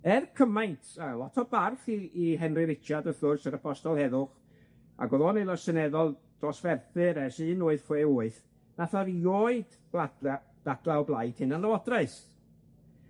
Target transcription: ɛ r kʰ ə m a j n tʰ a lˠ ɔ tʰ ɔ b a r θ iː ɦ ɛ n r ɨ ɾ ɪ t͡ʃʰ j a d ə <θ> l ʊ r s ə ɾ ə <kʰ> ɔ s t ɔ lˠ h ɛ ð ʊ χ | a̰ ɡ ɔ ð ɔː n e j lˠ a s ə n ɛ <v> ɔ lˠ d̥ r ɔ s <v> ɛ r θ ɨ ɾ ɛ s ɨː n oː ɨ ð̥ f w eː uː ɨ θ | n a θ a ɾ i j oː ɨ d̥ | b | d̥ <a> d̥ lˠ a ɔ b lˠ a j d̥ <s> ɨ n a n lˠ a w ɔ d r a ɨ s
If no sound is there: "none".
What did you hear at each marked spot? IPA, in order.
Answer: θ, pʰ, ð, v, a, h

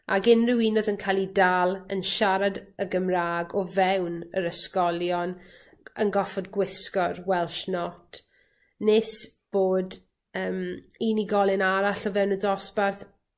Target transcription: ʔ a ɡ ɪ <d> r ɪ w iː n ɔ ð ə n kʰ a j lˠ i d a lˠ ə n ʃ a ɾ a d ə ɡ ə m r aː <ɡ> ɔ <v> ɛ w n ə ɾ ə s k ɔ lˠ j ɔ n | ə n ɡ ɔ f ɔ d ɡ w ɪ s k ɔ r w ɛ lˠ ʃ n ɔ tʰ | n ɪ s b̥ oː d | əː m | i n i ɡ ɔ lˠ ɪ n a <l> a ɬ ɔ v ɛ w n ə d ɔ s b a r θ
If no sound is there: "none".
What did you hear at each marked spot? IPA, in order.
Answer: n, ɡ, v, ɾ

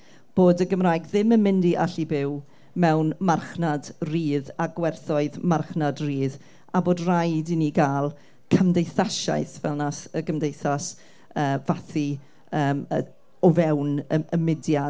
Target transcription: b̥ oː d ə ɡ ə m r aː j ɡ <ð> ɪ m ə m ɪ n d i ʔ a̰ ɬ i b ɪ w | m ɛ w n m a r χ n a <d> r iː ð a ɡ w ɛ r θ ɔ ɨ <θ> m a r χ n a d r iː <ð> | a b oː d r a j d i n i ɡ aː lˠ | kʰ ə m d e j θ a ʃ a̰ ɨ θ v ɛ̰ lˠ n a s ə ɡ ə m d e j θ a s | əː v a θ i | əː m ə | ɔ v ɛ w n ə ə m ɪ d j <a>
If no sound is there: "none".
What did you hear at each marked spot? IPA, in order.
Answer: ð, d, ð, ð, a

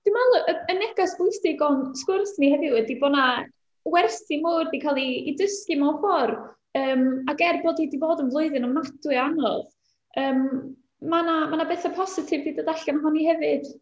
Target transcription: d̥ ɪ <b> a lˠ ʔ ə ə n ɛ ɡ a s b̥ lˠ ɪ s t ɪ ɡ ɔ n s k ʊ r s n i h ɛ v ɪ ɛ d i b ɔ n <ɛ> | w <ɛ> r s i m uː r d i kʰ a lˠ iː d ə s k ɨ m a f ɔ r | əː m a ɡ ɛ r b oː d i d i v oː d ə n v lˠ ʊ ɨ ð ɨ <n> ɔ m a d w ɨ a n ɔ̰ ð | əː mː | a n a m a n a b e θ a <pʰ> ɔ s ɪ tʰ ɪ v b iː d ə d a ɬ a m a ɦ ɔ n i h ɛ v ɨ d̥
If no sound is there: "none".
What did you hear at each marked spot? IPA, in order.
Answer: m, a, ɛ, n, pʰ

